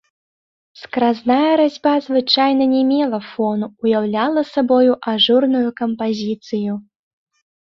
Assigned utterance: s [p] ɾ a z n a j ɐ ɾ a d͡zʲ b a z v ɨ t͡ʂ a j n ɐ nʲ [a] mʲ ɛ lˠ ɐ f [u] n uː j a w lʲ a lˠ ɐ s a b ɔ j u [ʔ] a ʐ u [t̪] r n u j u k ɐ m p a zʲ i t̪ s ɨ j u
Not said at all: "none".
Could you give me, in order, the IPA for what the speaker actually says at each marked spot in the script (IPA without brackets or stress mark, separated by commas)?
k, ɛ, ɔ, ʔ, none